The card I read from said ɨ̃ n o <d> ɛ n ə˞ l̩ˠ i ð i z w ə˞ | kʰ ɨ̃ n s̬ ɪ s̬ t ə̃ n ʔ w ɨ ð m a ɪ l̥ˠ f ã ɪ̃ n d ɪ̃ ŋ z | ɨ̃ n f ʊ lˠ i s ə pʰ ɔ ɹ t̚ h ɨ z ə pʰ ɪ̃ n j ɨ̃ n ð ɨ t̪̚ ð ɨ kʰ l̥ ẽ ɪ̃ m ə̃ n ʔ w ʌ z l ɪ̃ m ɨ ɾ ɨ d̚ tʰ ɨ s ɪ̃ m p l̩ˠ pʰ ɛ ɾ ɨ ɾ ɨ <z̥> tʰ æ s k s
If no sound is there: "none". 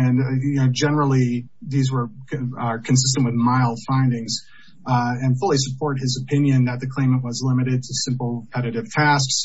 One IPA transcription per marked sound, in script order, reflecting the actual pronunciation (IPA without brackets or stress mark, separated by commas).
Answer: d͡ʒ, v̥